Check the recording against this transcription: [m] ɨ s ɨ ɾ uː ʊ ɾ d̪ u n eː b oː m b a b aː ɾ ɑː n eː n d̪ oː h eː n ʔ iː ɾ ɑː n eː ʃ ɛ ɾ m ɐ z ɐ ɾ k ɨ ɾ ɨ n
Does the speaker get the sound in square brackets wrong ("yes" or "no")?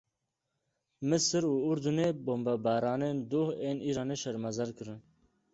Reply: no